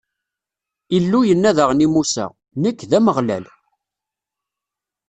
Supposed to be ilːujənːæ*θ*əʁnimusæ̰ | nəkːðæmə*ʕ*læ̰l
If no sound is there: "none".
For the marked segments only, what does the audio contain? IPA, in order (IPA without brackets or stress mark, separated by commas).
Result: ð, ʁ